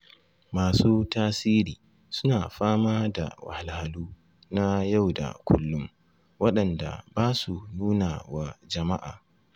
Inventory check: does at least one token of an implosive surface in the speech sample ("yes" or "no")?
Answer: yes